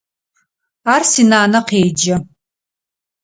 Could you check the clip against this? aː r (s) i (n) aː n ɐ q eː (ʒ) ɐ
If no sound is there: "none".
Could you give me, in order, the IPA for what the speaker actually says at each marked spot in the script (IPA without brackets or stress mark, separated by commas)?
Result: s, n, d͡ʒ